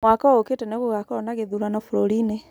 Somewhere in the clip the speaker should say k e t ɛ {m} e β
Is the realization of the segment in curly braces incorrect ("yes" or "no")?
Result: yes